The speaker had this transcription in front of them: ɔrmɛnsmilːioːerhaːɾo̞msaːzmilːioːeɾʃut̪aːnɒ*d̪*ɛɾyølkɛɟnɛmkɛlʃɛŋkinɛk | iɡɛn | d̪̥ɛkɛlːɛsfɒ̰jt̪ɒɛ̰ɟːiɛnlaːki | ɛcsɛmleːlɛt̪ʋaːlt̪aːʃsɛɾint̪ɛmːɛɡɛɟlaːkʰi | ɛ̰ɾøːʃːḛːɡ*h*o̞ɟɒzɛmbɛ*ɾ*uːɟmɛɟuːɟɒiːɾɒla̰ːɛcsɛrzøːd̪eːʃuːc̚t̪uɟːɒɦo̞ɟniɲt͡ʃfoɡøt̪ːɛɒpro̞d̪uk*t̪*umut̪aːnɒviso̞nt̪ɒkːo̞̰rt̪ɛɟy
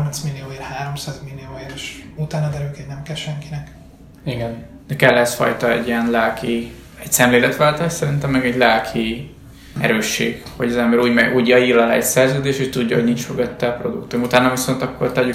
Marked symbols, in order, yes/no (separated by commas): yes, yes, yes, yes